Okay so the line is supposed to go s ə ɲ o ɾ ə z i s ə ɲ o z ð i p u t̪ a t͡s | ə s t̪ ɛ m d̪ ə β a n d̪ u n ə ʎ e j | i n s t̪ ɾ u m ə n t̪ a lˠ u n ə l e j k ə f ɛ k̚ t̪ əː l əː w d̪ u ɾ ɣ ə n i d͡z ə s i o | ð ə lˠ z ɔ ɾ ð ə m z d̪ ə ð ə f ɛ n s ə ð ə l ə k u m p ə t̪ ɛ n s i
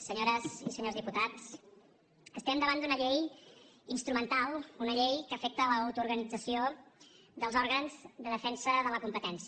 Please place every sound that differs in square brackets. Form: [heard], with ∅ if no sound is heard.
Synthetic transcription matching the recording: s ə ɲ o ɾ ə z i s ə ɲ o z ð i p u t̪ a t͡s | ə s t̪ ɛ m d̪ ə β a n d̪ u n ə ʎ e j | i n s t̪ ɾ u m ə n t̪ a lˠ u n ə [ʎ] e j k ə f ɛ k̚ t̪ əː l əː w [t̪] u ɾ ɣ ə n i d͡z ə s i o | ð ə lˠ z ɔ ɾ [ɣ] ə [n] z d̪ ə ð ə f ɛ n s ə ð ə l ə k u m p ə t̪ ɛ n s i